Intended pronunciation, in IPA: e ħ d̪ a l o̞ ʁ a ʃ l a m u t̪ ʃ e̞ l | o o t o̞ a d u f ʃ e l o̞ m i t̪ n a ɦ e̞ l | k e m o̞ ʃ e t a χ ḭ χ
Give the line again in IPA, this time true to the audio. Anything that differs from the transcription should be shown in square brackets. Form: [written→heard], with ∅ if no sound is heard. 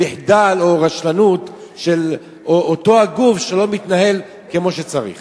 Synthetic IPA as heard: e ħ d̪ a l o̞ ʁ a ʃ l a [m→n] u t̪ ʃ e̞ l | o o t o̞ a [d→ɡ] u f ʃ e l o̞ m i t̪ n a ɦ e̞ l | k e m o̞ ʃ e [t→t͡s] a [χ→ʁ] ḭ χ